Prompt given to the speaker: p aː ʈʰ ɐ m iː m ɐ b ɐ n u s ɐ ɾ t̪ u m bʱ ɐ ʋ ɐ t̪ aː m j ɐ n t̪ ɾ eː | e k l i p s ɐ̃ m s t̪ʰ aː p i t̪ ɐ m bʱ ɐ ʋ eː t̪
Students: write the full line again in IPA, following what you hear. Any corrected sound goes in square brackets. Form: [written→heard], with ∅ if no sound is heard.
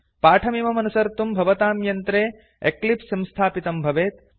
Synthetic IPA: p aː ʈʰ ɐ m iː m ɐ [b→m] ɐ n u s ɐ ɾ t̪ u m bʱ ɐ ʋ ɐ t̪ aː m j ɐ n t̪ ɾ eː | e k l i p s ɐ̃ m s t̪ʰ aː p i t̪ ɐ m bʱ ɐ ʋ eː t̪